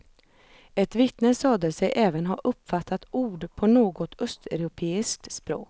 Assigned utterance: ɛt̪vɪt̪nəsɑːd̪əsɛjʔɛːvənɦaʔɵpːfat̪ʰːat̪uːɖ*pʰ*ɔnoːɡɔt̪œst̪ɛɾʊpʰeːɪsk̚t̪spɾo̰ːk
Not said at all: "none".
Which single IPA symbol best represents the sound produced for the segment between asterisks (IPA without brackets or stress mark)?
pʰ